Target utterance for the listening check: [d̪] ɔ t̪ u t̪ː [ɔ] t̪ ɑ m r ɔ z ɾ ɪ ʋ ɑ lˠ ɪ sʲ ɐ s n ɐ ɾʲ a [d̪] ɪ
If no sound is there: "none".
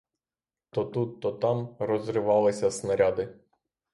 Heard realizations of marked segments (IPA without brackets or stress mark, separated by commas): t̪, ɔ, d̪